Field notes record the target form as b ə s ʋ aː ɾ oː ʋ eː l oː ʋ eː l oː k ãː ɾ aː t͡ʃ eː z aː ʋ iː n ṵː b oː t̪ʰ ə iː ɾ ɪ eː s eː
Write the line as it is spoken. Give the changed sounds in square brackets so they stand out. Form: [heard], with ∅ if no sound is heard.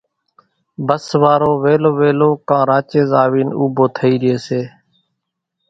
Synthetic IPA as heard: b ə s ʋ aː ɾ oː ʋ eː l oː ʋ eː l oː k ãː ɾ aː t͡ʃ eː z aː ʋ iː n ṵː b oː t̪ʰ ə iː ɾ ɪ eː s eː